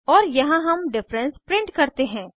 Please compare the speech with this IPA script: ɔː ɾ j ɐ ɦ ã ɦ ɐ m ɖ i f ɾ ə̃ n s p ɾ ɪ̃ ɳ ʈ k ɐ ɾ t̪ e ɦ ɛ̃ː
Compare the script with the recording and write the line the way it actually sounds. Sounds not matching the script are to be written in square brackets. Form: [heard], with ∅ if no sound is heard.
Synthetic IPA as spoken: ɔː ɾ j ɐ ɦ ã ɦ ɐ m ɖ [ɪ] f ɾ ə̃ n s p ɾ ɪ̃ ɳ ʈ k ɐ ɾ t̪ e ɦ ɛ̃ː